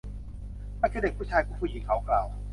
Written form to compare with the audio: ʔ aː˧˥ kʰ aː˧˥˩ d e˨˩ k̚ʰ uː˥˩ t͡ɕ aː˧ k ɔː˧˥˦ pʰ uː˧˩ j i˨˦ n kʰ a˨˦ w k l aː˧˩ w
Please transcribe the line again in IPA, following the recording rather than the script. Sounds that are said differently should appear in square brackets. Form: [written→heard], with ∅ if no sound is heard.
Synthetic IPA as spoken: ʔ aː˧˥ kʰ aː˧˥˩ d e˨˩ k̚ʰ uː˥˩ [t͡ɕ→t͡ɕʰ] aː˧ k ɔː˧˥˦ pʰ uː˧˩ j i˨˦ [n→ŋ] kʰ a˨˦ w k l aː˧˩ w